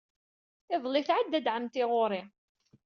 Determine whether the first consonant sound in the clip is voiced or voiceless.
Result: voiceless